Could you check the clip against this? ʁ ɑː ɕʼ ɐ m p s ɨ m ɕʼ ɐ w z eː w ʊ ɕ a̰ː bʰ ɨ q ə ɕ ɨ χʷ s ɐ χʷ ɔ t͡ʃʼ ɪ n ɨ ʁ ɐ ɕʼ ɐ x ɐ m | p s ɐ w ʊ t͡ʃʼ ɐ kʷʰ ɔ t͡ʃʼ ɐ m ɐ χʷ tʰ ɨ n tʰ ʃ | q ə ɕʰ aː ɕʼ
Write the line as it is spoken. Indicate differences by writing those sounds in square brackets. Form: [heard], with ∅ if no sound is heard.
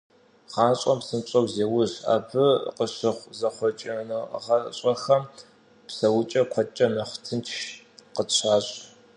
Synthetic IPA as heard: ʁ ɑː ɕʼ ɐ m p s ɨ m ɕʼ ɐ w z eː w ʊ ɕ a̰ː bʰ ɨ q ə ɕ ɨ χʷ [z] ɐ χʷ ɔ t͡ʃʼ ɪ n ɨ ʁ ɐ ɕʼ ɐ x ɐ m | p s ɐ w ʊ t͡ʃʼ ɐ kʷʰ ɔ t͡ʃʼ ɐ m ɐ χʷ tʰ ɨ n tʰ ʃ | q ə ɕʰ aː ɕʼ